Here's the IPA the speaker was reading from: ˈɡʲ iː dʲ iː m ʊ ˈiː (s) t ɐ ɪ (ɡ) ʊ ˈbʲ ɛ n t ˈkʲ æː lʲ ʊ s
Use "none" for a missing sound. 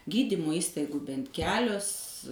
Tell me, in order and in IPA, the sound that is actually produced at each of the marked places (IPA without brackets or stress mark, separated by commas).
s, ɡ